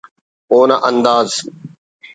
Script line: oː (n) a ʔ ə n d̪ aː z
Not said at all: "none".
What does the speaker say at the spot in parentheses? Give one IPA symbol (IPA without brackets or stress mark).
n